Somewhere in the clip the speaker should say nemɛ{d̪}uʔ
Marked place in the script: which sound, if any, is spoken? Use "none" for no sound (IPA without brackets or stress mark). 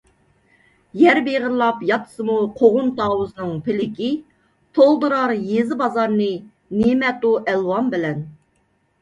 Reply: t̪